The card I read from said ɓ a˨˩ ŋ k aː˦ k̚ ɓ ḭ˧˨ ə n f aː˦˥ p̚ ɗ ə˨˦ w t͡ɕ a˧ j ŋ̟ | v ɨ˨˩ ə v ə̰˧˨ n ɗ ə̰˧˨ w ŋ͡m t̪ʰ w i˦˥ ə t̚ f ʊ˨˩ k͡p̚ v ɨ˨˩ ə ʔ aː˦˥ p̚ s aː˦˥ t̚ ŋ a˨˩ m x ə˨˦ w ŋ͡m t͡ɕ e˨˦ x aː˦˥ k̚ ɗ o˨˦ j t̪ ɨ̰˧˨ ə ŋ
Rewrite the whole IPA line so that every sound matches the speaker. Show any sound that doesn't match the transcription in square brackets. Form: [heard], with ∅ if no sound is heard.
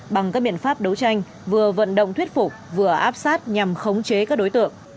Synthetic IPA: ɓ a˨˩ ŋ k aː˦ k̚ ɓ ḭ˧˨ ə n f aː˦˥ p̚ ɗ ə˨˦ w t͡ɕ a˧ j ŋ̟ | v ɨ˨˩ ə v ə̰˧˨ n ɗ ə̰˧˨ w ŋ͡m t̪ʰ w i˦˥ ə t̚ f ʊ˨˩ k͡p̚ v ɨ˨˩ ə ʔ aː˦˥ p̚ s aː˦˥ t̚ [ɲ] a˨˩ m x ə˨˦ w ŋ͡m t͡ɕ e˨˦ [k] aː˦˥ k̚ ɗ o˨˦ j t̪ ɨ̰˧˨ ə ŋ